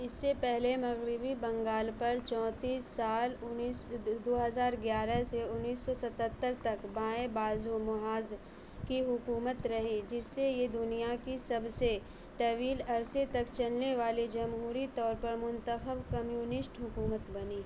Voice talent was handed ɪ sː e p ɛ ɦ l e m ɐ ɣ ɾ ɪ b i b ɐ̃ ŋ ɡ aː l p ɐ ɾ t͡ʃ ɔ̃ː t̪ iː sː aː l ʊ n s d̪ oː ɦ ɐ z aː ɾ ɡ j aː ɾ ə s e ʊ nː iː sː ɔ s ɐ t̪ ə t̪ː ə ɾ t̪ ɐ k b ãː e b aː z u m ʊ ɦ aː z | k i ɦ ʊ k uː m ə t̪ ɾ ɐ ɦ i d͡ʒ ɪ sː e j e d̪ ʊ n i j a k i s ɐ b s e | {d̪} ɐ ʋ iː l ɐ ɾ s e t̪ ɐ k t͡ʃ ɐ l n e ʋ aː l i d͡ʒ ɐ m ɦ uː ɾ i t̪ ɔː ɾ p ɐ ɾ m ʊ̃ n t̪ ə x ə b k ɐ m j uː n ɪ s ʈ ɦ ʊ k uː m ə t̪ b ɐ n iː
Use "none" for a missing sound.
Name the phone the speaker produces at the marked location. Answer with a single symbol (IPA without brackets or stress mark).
t̪